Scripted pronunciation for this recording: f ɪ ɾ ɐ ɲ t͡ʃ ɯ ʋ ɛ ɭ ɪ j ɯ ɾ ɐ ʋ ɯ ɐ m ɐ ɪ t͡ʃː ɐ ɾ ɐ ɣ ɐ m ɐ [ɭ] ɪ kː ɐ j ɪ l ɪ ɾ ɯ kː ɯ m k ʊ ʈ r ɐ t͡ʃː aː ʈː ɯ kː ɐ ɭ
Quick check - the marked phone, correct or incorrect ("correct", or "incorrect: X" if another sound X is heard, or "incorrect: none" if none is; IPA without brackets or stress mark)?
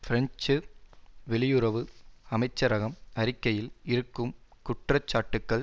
incorrect: ɾ